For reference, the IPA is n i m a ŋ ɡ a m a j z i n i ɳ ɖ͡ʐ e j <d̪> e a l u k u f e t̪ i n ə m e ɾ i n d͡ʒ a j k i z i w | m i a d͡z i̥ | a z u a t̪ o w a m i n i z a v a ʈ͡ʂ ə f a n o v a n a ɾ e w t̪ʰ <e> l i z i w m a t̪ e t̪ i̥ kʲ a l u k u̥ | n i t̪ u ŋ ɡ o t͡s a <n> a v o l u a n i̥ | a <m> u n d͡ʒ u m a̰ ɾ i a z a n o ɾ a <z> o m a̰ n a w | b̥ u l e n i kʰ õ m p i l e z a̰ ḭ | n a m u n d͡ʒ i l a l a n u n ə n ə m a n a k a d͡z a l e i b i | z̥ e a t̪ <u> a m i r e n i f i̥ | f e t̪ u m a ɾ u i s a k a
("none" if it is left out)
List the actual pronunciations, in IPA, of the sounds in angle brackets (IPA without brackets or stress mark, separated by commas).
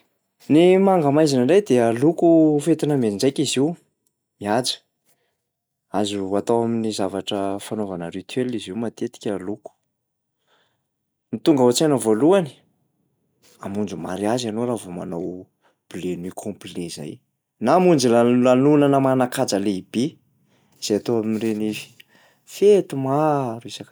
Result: d̪, e, n, m, v, o